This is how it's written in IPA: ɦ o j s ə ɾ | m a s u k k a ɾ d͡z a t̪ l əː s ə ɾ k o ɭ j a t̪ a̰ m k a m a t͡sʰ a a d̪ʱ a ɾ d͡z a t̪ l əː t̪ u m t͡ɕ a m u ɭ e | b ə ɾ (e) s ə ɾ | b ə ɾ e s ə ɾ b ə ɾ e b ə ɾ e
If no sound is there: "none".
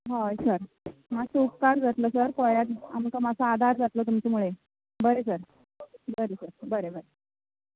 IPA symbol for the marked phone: e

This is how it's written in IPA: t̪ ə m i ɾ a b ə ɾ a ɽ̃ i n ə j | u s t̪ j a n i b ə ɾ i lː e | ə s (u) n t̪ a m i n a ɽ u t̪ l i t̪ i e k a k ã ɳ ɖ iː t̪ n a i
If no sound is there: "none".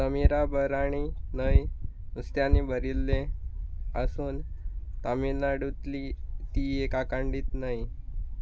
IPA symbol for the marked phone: uː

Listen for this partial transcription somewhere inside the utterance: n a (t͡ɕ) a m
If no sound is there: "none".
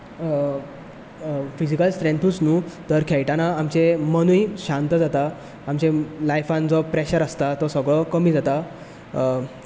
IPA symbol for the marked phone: none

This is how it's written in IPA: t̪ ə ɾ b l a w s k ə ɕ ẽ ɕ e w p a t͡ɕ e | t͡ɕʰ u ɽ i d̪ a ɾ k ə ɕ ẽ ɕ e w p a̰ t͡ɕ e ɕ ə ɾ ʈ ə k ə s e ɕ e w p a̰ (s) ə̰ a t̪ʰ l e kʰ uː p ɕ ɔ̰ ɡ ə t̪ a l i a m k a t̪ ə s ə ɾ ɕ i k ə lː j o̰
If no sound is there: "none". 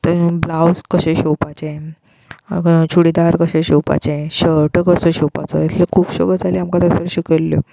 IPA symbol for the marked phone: t͡s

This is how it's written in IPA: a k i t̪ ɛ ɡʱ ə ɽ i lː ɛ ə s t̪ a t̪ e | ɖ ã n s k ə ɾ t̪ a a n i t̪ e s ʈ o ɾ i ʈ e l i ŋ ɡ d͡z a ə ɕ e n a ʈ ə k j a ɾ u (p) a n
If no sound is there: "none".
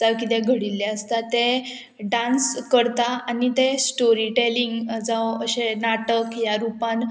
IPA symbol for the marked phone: p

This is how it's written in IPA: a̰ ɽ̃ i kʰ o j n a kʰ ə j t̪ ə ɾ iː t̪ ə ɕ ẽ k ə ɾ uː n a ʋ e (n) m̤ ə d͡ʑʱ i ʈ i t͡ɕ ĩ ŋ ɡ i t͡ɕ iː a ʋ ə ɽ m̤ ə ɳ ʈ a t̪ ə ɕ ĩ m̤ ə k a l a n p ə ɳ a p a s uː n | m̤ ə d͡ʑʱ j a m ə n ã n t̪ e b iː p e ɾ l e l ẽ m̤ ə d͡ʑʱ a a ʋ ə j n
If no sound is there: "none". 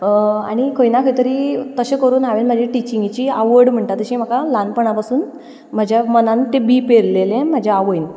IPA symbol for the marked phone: n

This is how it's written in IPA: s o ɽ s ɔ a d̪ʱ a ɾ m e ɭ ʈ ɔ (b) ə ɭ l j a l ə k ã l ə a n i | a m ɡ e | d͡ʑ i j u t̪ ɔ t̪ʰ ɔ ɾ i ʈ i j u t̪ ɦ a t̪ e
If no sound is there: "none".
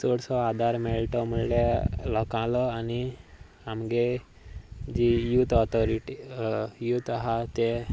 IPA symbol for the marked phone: m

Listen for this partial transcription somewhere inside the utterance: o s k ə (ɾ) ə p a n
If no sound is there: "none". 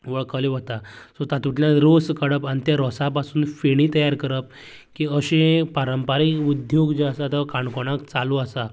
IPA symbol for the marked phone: ɽ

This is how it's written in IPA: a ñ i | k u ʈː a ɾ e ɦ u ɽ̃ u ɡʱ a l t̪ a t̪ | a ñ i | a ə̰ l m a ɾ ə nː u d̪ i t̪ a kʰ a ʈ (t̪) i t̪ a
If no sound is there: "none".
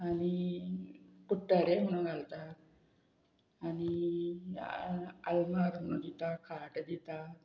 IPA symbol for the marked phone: d̪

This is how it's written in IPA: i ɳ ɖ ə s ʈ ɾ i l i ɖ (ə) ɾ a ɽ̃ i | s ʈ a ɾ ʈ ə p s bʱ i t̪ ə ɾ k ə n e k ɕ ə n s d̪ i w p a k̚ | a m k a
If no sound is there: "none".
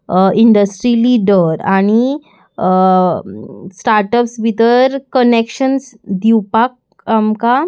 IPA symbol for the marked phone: ə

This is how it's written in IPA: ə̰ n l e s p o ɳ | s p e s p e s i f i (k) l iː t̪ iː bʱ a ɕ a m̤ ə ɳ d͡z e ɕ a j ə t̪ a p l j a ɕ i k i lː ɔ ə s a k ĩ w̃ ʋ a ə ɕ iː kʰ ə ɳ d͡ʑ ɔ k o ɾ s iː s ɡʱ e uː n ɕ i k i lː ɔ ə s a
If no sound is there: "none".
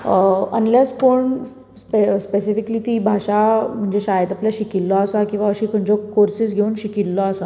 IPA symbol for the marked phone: k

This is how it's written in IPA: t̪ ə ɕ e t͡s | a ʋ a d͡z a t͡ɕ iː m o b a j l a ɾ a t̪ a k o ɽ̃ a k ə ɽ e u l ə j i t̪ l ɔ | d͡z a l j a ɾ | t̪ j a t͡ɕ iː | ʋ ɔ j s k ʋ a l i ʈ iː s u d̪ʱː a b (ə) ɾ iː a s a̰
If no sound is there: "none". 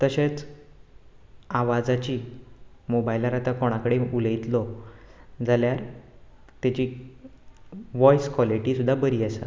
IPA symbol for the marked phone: ə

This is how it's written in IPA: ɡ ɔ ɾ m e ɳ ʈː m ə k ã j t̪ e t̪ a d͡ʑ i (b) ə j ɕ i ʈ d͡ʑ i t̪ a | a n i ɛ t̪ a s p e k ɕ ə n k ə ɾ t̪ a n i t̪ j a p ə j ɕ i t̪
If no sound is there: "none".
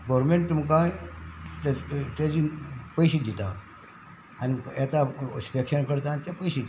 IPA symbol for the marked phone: p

